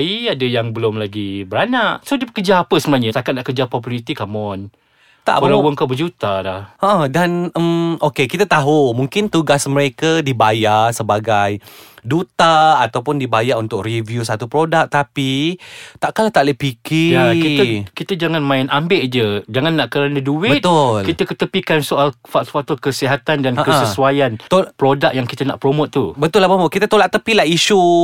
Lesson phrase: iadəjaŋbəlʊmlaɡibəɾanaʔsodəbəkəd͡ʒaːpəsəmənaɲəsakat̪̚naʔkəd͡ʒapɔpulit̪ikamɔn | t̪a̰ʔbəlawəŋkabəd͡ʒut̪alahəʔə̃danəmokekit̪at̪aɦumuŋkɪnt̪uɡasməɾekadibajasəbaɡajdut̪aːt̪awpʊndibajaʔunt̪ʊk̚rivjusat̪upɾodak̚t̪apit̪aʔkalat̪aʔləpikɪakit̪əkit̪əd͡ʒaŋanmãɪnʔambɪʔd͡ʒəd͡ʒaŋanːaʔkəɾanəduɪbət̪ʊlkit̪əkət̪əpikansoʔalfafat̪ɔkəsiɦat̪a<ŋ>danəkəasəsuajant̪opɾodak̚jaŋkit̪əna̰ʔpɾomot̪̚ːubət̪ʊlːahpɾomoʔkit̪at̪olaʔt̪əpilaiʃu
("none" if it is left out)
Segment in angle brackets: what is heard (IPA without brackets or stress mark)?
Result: n